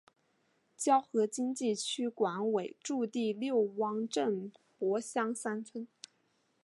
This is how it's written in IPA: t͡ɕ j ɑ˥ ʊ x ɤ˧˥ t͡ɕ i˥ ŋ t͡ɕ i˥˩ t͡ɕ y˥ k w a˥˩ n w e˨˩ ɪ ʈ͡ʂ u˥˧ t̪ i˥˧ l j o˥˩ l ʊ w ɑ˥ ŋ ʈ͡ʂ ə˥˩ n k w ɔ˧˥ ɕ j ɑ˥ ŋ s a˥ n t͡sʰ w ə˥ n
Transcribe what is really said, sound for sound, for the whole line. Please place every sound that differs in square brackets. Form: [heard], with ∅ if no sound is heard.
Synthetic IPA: t͡ɕ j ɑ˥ ʊ x ɤ˧˥ t͡ɕ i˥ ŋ t͡ɕ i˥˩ [t͡ɕʰ] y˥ k w [a˧˥] n w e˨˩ ɪ ʈ͡ʂ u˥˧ t̪ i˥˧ l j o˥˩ [∅] ʊ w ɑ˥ ŋ ʈ͡ʂ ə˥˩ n [p] w ɔ˧˥ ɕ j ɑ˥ ŋ s a˥ n t͡sʰ w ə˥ n